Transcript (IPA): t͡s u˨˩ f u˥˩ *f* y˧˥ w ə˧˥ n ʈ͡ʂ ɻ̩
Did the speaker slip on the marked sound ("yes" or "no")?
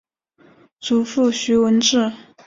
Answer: yes